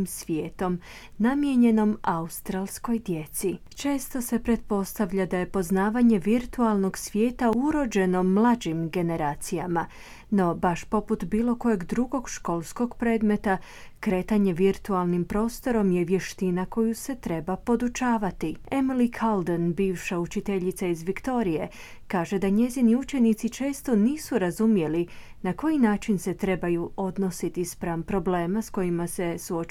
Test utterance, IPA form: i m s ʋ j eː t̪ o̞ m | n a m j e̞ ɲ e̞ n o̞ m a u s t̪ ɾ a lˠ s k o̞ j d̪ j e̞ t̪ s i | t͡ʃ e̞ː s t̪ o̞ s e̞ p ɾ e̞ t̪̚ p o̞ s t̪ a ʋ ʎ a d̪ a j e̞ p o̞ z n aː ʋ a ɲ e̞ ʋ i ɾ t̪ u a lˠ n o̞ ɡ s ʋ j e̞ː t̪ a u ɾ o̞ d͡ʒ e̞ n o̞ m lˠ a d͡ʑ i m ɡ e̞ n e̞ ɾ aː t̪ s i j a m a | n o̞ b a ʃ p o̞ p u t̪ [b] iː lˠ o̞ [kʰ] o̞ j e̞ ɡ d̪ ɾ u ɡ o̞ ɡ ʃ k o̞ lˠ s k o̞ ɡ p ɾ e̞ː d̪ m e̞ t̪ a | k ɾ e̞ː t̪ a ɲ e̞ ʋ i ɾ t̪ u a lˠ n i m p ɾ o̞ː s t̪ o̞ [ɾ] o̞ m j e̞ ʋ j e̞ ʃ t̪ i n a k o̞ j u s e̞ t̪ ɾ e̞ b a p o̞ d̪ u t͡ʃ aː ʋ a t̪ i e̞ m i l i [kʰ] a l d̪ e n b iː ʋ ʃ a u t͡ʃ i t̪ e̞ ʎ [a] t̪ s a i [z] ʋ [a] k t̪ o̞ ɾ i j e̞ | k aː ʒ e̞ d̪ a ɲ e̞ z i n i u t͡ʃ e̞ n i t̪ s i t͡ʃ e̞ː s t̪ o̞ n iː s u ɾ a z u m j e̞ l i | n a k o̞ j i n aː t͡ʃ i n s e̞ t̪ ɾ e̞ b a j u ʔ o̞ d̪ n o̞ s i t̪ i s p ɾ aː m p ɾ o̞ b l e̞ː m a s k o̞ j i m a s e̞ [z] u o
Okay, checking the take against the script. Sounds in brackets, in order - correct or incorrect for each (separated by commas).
correct, incorrect, correct, correct, incorrect, correct, incorrect, incorrect